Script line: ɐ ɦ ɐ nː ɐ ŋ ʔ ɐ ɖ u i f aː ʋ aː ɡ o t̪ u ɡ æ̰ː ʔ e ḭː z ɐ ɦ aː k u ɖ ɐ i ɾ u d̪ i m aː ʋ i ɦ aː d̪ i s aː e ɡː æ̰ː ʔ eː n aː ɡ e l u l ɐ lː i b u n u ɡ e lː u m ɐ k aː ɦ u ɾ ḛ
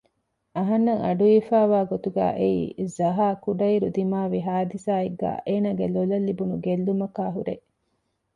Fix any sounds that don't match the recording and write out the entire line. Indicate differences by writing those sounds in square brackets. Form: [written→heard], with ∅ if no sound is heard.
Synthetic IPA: ɐ ɦ ɐ nː ɐ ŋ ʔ ɐ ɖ u i f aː ʋ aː ɡ o t̪ u ɡ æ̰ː ʔ e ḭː z ɐ ɦ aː k u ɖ ɐ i ɾ u d̪ i m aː ʋ i ɦ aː d̪ i s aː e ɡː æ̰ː ʔ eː n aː ɡ e l [u→o] l ɐ lː i b u n u ɡ e lː u m ɐ k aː ɦ u ɾ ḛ